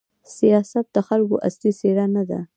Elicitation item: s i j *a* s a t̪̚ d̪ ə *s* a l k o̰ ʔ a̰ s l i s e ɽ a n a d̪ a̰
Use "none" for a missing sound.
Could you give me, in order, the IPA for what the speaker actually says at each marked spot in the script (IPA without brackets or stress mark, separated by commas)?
ɑ, x